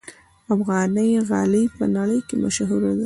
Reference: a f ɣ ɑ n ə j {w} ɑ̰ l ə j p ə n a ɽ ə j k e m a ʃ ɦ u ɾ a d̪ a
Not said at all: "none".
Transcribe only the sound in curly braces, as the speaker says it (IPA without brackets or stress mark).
ɣ